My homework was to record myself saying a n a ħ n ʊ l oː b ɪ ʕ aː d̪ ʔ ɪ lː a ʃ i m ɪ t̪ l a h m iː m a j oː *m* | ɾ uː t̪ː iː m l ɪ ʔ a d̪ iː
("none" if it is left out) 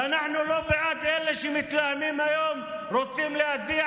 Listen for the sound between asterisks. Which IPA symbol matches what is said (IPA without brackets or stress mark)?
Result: m